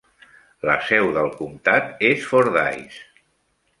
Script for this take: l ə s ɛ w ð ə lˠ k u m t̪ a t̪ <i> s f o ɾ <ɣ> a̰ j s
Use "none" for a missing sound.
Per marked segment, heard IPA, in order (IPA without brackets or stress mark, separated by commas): e, ð